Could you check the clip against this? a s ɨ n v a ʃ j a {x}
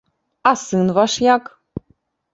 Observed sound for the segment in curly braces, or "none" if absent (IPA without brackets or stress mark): k